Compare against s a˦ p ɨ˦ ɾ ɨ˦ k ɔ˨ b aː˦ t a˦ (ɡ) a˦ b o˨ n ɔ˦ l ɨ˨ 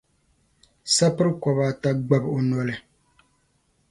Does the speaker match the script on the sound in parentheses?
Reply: no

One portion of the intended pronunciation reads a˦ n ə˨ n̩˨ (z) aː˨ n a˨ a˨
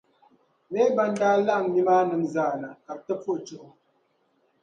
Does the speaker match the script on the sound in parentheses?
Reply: yes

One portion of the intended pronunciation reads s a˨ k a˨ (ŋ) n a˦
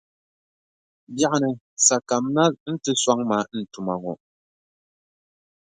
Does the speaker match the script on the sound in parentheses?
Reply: no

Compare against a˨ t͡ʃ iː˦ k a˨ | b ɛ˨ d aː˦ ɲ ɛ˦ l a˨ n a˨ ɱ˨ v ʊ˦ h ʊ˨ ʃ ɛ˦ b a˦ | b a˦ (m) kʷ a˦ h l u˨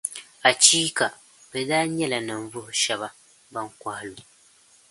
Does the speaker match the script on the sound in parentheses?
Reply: no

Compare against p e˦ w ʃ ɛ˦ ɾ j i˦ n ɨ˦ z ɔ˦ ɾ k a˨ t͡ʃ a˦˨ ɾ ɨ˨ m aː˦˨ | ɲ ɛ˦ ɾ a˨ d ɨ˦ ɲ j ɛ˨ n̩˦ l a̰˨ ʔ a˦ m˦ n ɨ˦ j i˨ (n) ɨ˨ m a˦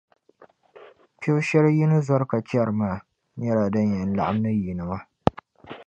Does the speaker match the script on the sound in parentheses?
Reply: yes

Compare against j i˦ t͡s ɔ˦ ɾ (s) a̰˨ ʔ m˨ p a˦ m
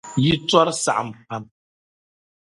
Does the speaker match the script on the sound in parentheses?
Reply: yes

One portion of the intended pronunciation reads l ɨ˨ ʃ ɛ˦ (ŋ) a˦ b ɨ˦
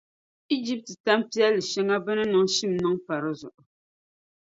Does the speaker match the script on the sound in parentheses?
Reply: yes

